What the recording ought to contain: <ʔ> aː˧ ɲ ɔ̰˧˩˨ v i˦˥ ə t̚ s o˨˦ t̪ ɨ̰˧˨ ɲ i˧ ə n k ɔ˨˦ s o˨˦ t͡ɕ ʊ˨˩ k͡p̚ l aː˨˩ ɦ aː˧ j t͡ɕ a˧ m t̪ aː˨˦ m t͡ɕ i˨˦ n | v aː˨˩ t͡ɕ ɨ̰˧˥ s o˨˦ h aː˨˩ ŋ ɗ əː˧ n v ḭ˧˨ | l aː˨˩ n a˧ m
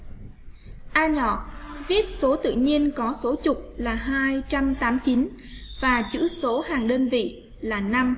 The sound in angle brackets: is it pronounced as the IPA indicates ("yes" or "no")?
yes